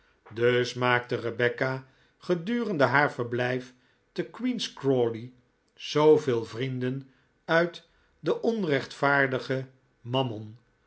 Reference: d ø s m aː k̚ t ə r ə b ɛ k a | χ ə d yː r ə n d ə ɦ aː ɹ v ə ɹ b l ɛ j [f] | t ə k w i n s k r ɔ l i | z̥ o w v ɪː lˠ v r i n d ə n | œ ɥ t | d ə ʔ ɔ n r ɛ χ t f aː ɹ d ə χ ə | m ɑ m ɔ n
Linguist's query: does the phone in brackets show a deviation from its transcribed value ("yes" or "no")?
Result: no